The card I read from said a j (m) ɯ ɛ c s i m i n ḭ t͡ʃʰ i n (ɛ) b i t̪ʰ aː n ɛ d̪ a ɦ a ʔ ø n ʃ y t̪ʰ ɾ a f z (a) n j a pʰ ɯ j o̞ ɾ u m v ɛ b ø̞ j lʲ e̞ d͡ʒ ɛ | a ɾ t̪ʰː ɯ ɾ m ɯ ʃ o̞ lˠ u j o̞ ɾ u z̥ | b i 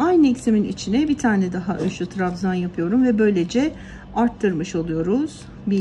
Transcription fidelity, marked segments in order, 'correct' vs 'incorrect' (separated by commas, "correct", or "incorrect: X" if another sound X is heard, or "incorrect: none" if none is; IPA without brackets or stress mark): incorrect: n, correct, correct